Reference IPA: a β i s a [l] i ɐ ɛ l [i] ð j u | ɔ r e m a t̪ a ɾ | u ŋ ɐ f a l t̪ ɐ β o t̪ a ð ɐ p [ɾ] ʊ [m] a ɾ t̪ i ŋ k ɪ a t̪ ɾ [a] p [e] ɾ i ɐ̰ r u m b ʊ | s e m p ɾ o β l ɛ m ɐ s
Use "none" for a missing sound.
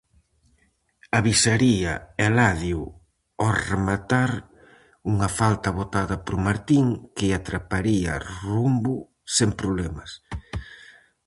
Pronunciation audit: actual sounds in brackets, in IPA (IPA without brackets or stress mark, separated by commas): ɾ, a, ɾ, m, a, a